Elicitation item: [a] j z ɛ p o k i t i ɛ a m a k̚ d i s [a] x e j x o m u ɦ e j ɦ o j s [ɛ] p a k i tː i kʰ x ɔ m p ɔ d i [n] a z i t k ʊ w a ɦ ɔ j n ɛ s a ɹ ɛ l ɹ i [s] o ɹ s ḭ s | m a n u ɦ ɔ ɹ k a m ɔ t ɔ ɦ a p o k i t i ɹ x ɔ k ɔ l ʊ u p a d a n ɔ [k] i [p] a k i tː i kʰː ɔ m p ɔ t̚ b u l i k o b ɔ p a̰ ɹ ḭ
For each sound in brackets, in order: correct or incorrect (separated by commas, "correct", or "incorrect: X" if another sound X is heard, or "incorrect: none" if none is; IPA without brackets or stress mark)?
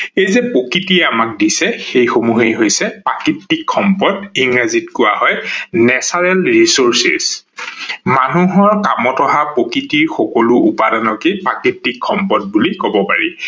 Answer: incorrect: e, incorrect: ɛ, correct, incorrect: ŋ, correct, correct, correct